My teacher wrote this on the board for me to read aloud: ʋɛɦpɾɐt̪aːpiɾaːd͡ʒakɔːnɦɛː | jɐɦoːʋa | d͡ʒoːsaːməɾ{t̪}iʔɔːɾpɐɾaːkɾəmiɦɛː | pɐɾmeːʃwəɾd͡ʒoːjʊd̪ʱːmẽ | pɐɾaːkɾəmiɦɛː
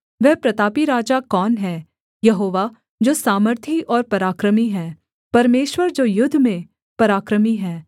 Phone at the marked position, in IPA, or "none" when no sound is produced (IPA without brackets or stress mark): t̪ʰ